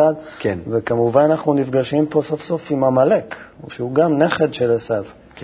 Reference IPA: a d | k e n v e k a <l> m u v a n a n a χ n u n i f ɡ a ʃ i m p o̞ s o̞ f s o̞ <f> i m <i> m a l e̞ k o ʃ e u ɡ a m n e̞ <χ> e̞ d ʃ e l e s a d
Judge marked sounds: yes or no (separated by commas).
no, yes, no, yes